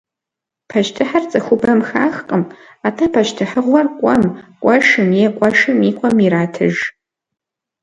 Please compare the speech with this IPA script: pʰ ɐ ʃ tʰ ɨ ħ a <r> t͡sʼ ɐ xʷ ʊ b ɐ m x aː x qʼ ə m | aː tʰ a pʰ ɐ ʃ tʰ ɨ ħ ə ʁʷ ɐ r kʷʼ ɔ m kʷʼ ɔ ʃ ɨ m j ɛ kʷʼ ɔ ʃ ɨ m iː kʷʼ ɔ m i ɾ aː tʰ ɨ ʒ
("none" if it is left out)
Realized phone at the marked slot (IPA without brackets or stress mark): r